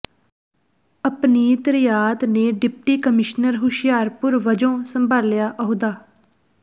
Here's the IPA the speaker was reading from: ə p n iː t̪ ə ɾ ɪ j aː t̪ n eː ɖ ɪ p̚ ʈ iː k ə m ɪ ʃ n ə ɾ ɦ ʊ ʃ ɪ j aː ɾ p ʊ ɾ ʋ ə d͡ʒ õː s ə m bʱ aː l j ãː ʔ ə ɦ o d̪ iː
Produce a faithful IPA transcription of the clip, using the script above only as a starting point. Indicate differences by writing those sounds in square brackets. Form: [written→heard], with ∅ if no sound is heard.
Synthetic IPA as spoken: ə p n iː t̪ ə ɾ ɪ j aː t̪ n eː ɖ ɪ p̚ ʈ iː k ə m ɪ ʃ n ə ɾ ɦ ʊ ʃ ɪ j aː ɾ p ʊ ɾ ʋ ə d͡ʒ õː s ə m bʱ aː l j [ãː→aː] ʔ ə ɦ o d̪ [iː→aː]

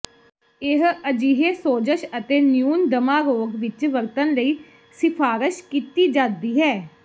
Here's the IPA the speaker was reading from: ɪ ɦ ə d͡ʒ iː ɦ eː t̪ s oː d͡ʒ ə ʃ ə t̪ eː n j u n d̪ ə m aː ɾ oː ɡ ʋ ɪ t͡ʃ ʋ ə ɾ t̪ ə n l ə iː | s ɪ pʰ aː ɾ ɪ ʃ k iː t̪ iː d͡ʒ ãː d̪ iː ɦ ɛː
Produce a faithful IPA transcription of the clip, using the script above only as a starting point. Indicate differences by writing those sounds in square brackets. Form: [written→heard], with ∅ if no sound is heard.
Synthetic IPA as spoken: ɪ ɦ ə d͡ʒ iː ɦ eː [t̪→∅] s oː d͡ʒ ə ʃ ə t̪ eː n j [u→uː] n d̪ ə m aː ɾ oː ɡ ʋ ɪ t͡ʃ ʋ ə ɾ t̪ ə n l ə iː | s ɪ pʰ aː ɾ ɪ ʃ k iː t̪ iː d͡ʒ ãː d̪ iː ɦ ɛː

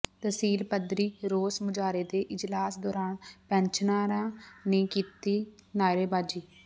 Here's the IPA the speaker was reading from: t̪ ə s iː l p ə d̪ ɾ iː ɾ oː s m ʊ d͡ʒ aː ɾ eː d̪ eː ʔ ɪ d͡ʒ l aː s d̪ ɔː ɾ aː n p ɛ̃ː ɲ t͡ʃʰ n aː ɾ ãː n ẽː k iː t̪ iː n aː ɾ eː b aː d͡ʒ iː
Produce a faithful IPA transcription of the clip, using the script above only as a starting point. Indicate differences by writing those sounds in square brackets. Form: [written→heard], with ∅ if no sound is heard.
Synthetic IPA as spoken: t̪ ə s iː l p ə d̪ ɾ iː ɾ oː s m ʊ d͡ʒ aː ɾ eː d̪ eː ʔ ɪ d͡ʒ l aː s d̪ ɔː ɾ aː n p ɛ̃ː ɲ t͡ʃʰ n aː ɾ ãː n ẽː k iː t̪ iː n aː ɾ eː b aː d͡ʒ iː

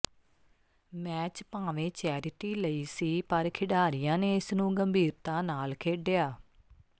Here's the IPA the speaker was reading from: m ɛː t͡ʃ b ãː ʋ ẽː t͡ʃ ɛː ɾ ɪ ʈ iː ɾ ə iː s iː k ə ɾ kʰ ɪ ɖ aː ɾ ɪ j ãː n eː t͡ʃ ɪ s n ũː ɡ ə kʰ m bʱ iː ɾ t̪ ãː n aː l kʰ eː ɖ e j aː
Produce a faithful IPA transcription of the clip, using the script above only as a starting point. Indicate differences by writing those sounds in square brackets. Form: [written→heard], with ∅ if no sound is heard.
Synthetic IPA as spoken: m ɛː t͡ʃ [b→p] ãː ʋ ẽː t͡ʃ ɛː ɾ ɪ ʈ iː [ɾ→l] ə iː s iː [k→p] ə ɾ kʰ ɪ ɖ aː ɾ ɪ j ãː n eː [t͡ʃ→∅] ɪ s n ũː ɡ ə [kʰ→∅] m bʱ iː ɾ t̪ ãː n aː l kʰ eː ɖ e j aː

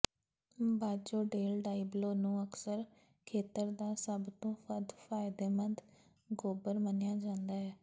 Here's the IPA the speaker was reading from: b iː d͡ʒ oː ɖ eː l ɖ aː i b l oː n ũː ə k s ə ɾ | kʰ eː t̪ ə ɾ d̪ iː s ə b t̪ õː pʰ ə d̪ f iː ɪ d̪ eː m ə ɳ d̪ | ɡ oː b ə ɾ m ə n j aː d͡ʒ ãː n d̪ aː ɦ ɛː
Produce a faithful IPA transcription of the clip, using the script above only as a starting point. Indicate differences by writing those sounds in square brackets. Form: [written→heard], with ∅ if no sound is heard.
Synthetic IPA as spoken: b [iː→aː] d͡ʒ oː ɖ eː l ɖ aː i b l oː n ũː ə k s ə ɾ | kʰ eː t̪ ə ɾ d̪ [iː→aː] s ə b t̪ õː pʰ ə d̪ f [iː→aː] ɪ d̪ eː m ə [ɳ→n] d̪ | ɡ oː b ə ɾ m ə n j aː d͡ʒ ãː n d̪ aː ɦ ɛː

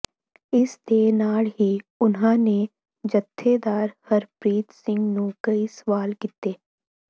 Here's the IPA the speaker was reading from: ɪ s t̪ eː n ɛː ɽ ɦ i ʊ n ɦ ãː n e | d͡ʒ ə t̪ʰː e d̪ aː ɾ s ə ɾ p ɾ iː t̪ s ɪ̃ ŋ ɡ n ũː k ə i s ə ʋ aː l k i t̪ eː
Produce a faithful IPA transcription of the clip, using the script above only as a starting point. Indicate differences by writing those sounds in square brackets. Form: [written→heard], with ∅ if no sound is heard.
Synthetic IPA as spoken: ɪ s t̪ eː n [ɛː→aː] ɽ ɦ i ʊ n ɦ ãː n e | d͡ʒ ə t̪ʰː e d̪ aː ɾ [s→h] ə ɾ p ɾ iː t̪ s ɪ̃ ŋ ɡ n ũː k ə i s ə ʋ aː l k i t̪ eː

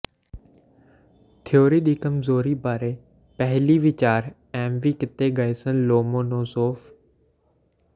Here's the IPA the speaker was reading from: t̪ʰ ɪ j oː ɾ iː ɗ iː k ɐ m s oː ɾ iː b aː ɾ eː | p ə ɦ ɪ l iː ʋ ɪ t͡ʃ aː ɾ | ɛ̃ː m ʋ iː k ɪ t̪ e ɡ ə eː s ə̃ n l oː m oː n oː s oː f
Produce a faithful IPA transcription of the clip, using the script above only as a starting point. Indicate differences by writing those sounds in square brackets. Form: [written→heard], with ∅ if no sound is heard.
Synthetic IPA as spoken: t̪ʰ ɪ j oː ɾ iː ɗ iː k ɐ m [s→z] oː ɾ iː b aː ɾ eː | p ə ɦ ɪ l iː ʋ ɪ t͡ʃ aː ɾ | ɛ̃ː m ʋ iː k ɪ t̪ e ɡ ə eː s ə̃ n l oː m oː n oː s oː f

